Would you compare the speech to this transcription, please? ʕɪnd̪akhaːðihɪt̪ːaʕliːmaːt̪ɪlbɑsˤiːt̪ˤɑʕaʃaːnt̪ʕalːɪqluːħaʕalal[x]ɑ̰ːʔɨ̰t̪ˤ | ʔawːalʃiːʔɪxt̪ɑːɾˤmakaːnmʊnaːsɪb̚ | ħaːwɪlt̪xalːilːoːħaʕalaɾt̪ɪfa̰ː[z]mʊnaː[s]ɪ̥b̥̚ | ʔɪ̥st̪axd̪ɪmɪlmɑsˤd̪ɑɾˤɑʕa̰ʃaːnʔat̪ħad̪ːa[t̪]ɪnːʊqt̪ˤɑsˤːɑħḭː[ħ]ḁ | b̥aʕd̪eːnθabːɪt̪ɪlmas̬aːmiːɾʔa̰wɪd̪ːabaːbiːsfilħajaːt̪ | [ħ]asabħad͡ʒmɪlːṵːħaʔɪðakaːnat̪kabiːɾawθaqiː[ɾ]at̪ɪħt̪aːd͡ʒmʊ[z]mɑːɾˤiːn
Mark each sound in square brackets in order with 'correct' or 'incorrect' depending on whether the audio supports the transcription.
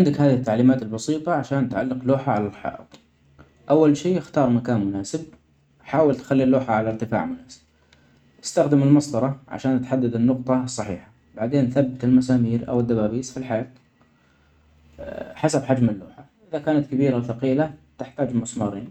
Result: incorrect: ħ, incorrect: ʕ, correct, incorrect: d̪, correct, correct, incorrect: l, incorrect: s

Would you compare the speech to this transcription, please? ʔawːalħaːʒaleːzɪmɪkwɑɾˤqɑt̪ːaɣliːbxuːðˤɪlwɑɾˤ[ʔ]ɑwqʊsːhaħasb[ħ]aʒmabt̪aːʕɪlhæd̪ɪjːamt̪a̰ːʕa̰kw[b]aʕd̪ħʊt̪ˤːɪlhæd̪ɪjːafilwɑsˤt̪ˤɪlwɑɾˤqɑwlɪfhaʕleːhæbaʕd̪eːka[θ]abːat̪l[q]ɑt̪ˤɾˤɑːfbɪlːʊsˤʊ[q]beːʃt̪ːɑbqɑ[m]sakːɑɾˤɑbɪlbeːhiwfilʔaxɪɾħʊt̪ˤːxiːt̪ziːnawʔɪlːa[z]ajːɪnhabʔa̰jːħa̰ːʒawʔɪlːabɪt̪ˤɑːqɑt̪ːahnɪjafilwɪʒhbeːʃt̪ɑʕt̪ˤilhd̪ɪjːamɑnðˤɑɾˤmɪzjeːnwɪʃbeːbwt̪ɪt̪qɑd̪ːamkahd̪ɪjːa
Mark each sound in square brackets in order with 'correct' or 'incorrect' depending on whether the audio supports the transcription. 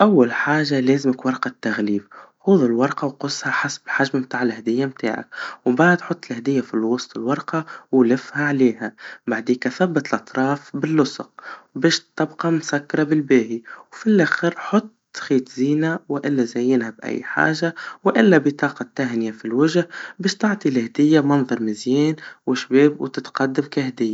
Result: incorrect: q, correct, correct, correct, incorrect: ʔ, correct, correct, correct

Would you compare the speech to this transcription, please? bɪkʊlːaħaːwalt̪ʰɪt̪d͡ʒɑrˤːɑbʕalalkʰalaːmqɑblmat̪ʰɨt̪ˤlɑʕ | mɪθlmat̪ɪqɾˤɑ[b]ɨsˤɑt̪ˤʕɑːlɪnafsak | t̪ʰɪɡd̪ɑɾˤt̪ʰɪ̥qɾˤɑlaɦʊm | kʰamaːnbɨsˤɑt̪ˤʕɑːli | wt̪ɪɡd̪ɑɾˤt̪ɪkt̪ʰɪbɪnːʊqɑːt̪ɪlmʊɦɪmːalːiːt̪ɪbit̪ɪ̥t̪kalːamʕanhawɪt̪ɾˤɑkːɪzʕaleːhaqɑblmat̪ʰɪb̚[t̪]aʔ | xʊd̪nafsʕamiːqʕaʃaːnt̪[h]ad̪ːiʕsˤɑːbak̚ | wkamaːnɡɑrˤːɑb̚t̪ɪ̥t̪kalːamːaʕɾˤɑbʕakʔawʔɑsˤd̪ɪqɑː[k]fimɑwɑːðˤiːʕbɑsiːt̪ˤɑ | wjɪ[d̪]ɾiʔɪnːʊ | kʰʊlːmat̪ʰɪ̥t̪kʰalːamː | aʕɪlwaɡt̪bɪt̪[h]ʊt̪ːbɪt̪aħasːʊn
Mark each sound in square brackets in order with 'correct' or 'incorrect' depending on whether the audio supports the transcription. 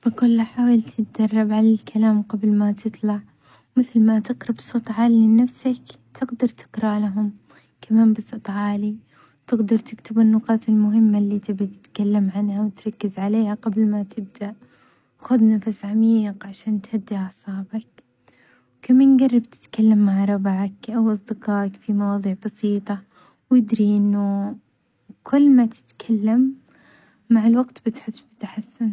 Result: correct, incorrect: d̪, correct, correct, correct, incorrect: ħ

